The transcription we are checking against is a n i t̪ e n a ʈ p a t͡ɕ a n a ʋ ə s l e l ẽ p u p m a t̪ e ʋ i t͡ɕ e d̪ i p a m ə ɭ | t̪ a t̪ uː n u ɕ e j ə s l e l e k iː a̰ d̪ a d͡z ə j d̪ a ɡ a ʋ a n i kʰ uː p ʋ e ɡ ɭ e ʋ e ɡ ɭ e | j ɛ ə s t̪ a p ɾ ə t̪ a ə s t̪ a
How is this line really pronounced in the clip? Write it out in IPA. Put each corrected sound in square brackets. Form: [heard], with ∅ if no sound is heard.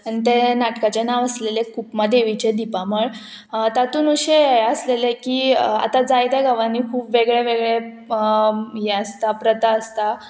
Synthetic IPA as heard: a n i t̪ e n a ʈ [k] a t͡ɕ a n a ʋ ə s l e l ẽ [k] u p m a [d̪] e ʋ i t͡ɕ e d̪ i p a m ə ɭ | t̪ a t̪ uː n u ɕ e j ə s l e l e k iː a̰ [t̪] a d͡z [a] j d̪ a ɡ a ʋ a n i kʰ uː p ʋ e ɡ ɭ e ʋ e ɡ ɭ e | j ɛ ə s t̪ a p ɾ ə t̪ a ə s t̪ a

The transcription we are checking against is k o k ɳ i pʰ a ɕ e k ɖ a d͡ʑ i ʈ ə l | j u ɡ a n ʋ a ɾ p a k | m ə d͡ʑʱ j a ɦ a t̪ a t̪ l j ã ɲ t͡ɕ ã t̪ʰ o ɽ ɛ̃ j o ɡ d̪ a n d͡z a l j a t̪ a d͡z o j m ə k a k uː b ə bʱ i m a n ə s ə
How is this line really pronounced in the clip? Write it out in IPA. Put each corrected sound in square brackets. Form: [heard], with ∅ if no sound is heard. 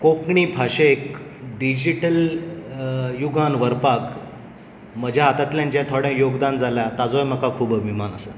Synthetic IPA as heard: k o k ɳ i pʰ a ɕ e k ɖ [i] d͡ʑ i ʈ ə l | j u ɡ a n ʋ [ə] ɾ p a k | m ə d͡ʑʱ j a ɦ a t̪ a t̪ l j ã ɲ t͡ɕ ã t̪ʰ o ɽ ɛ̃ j o ɡ d̪ a n d͡z a l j a t̪ a d͡z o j m ə k a [kʰ] uː b ə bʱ i m a n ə s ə

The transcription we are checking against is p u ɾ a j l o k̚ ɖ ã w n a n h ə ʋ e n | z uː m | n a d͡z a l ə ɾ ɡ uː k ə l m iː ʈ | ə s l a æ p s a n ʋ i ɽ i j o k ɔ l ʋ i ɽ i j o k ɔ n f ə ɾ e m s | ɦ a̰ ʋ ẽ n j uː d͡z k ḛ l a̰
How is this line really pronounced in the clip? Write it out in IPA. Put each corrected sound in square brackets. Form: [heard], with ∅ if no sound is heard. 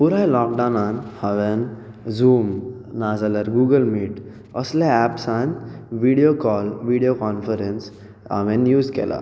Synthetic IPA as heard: p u ɾ a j l [ɔ] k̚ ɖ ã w n a n h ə ʋ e n | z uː m | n a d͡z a l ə ɾ ɡ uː [ɡ] ə l m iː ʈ | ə s l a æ p s a n ʋ i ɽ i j o k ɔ l ʋ i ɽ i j o k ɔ n f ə ɾ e [n] s | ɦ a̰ ʋ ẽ n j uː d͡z k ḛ l a̰

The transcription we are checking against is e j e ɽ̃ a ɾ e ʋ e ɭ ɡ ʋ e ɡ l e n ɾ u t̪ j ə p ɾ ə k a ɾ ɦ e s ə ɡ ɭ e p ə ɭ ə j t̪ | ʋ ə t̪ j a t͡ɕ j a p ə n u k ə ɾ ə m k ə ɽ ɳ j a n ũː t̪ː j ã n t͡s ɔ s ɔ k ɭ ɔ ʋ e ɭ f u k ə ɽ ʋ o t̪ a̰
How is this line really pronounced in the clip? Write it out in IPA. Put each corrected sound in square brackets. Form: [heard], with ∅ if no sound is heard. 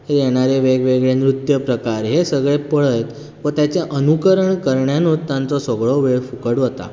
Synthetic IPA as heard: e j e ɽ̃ a ɾ e ʋ e [∅] ɡ ʋ e ɡ [ɭ] e n ɾ u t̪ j ə p ɾ ə k a ɾ ɦ e s ə ɡ ɭ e p ə ɭ ə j t̪ | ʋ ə t̪ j a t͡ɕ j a [ʔ] ə n u k ə ɾ ə [ɳ] k ə [ɾ] ɳ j a n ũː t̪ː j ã n t͡s ɔ s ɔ [ɡ] ɭ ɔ ʋ e ɭ f u k ə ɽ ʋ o t̪ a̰

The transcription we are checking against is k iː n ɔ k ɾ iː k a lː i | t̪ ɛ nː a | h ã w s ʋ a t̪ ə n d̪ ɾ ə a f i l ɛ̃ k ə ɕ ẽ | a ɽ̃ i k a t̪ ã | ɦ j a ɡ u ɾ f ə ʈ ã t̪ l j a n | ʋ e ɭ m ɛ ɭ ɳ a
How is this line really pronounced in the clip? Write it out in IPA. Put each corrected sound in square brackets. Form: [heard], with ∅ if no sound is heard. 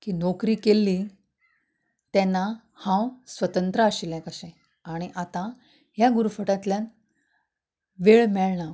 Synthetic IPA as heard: k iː n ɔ k ɾ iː k [e] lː i | t̪ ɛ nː a | h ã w s ʋ [ə] t̪ ə n [t̪] ɾ ə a [ɕ] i l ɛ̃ k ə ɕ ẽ | a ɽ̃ i [ʔ] a t̪ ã | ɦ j a ɡ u ɾ f ə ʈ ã t̪ l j a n | ʋ e ɭ m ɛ ɭ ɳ a

